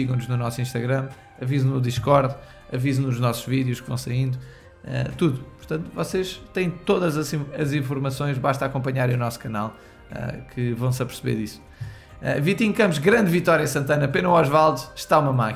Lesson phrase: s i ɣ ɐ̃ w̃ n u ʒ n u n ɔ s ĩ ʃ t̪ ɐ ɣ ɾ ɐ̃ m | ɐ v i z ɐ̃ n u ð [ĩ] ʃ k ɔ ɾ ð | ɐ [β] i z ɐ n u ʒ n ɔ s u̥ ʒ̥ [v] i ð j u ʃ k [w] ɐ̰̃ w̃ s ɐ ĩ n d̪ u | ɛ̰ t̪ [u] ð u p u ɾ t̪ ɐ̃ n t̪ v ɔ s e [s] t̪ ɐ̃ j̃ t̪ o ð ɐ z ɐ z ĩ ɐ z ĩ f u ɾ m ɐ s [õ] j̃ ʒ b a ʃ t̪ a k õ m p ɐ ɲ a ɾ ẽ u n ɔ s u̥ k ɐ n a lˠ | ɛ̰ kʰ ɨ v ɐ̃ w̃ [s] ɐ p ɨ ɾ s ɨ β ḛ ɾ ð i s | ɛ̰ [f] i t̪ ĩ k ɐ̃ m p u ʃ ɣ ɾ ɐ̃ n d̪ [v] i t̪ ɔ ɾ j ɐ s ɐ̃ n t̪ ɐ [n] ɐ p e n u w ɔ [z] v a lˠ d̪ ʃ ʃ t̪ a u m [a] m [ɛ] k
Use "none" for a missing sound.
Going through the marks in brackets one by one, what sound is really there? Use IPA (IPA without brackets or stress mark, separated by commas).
i, v, v, v, u, ʃ, õ, s, v, v, n, ʒ, ɐ, a